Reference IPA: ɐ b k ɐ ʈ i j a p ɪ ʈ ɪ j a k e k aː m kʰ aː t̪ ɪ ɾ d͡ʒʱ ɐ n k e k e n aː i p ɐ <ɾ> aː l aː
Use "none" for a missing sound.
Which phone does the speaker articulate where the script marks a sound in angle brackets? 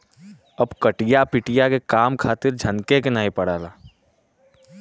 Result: ɽ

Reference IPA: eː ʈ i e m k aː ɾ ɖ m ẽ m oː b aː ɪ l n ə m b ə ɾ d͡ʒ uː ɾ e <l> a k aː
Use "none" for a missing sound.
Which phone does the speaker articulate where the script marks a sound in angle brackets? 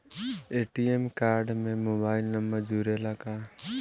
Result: l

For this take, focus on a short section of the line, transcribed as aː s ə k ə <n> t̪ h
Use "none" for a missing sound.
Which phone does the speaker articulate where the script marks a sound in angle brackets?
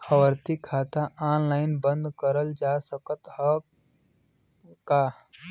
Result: none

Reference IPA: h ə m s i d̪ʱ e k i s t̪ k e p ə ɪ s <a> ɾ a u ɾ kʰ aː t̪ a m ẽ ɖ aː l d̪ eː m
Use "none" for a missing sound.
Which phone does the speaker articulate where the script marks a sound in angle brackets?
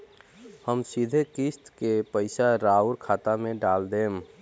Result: a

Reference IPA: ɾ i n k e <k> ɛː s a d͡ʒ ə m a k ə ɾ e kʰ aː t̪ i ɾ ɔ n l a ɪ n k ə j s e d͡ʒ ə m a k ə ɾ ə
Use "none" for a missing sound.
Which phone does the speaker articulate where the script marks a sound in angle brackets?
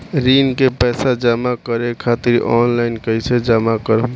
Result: p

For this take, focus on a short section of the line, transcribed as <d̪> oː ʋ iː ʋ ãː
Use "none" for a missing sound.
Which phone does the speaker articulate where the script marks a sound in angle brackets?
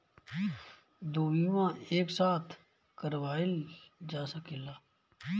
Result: d̪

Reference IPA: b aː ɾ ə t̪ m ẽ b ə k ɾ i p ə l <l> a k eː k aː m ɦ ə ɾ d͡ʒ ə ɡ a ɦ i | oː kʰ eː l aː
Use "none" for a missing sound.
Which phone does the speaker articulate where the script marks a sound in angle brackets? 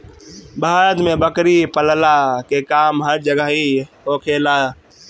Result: l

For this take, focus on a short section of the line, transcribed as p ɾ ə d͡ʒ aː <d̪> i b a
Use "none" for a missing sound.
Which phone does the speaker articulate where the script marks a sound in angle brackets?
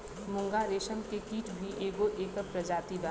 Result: t̪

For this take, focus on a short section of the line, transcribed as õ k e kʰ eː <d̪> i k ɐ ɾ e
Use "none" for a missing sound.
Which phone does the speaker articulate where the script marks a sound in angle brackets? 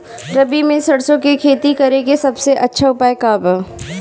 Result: t̪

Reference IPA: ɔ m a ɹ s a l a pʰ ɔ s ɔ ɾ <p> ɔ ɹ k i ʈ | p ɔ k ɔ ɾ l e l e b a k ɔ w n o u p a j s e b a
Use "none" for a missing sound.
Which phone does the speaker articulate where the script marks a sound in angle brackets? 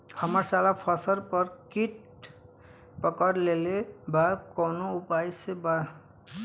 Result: p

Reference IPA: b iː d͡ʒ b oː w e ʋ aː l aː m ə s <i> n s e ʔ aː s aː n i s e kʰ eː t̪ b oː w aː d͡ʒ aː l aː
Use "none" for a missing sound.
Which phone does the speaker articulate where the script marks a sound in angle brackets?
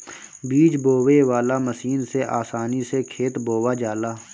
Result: iː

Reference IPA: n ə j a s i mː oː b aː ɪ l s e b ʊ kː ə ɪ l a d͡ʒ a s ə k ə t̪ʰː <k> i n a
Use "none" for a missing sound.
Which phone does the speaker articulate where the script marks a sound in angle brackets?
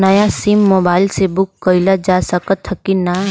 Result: k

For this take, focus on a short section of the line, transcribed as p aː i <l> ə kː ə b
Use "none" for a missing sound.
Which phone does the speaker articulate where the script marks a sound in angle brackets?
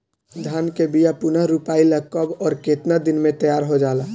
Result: l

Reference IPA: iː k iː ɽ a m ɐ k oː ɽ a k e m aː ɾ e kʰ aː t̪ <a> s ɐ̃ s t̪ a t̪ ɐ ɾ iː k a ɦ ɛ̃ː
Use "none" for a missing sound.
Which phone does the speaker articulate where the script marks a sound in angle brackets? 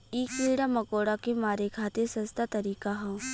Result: e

